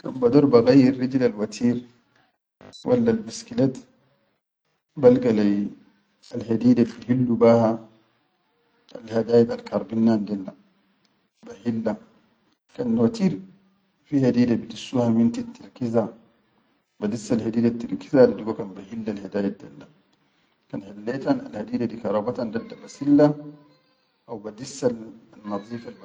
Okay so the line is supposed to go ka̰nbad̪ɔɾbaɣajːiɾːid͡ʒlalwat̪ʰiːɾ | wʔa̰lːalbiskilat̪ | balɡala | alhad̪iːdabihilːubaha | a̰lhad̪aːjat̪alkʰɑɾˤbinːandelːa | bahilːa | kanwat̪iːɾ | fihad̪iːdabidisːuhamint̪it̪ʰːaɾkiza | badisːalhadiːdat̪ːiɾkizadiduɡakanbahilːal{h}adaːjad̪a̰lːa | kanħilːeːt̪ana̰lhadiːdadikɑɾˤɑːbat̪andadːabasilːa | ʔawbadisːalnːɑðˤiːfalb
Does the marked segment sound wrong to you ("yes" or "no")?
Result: no